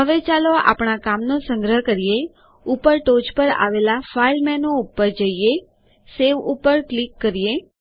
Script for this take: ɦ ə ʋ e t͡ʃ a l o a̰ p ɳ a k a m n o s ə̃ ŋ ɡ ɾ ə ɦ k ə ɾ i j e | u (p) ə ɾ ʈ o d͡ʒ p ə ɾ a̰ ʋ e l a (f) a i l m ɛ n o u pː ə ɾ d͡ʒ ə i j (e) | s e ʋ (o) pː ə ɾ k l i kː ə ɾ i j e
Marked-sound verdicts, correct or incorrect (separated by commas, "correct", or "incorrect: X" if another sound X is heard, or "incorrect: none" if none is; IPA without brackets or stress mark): correct, correct, correct, incorrect: u